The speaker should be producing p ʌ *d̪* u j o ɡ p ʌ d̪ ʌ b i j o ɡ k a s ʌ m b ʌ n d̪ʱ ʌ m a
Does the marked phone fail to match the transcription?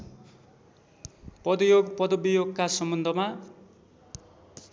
no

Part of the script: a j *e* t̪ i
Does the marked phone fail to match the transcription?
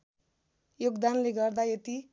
no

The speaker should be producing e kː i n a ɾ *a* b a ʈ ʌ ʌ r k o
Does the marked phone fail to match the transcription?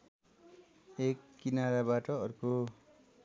no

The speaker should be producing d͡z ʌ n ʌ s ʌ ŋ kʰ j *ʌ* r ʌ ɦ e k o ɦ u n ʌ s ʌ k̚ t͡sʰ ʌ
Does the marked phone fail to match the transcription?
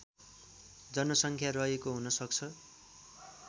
yes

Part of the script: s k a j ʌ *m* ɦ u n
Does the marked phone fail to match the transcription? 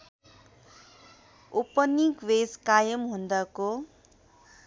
no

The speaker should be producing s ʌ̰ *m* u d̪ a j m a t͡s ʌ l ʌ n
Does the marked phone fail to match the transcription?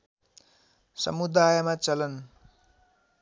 no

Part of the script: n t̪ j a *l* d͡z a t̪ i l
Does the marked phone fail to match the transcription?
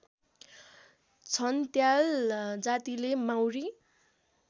no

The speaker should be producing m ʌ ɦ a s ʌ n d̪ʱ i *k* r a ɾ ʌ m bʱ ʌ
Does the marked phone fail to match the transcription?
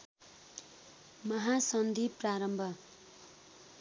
yes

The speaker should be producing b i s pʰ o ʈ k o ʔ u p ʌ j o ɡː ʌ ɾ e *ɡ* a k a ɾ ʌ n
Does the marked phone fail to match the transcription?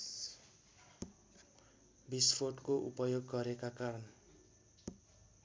yes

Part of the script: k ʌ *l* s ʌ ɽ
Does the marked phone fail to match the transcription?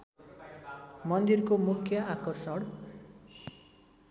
yes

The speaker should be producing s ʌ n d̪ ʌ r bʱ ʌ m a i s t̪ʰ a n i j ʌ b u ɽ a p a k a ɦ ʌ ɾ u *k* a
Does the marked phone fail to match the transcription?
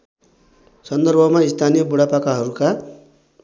no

